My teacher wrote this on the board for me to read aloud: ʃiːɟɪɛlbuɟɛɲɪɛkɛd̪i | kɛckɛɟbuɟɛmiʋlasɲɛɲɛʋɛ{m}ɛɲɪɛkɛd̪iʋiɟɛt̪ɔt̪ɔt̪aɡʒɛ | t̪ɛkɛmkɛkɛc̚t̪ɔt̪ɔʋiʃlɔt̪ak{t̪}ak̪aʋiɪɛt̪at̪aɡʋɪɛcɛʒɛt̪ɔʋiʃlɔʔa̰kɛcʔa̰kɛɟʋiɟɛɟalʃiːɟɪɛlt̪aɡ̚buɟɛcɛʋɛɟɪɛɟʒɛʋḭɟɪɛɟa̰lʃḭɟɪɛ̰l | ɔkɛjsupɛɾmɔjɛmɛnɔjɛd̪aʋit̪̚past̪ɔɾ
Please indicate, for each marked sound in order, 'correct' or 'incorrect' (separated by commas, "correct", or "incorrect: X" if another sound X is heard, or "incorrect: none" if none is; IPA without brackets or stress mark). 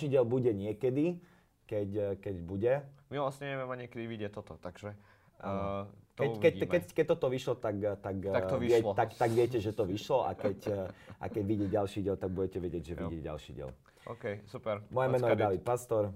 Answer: correct, correct